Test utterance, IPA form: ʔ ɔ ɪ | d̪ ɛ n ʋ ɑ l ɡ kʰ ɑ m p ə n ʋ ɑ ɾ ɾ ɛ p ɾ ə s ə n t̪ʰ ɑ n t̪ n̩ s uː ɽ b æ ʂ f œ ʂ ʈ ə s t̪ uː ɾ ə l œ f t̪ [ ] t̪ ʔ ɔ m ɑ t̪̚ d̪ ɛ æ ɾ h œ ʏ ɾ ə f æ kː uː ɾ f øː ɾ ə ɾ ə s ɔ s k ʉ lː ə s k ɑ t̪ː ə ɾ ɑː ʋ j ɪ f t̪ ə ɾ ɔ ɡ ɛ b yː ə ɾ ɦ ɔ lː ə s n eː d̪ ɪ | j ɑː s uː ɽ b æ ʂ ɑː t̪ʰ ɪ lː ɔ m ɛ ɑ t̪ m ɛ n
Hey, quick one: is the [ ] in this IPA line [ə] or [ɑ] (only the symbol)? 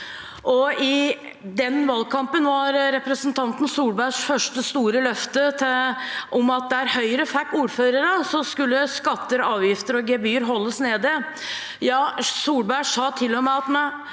ə